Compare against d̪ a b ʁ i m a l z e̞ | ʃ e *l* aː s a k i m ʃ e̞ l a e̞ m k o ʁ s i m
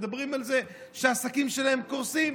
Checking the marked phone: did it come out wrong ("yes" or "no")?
yes